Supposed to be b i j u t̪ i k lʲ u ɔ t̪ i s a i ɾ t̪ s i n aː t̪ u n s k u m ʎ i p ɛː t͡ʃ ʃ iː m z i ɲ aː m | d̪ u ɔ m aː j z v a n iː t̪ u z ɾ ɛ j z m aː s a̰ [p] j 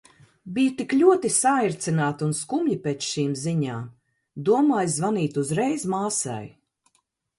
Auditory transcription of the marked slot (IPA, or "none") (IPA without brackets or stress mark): none